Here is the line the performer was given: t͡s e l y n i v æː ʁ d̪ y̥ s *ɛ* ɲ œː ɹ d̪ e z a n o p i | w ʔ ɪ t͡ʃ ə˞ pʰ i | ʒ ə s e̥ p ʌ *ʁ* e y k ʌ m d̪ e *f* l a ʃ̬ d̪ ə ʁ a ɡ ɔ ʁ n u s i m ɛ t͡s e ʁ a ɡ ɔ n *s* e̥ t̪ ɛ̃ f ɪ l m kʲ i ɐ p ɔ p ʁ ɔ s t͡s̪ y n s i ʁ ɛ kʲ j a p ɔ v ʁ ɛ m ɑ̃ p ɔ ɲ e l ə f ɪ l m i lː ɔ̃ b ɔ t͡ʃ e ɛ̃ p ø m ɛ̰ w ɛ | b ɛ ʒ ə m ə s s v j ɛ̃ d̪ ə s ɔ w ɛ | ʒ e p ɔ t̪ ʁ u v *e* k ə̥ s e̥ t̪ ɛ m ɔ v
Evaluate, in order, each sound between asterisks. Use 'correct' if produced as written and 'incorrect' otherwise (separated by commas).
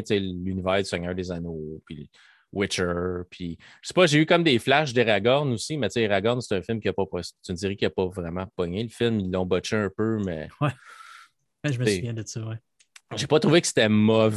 correct, incorrect, correct, correct, correct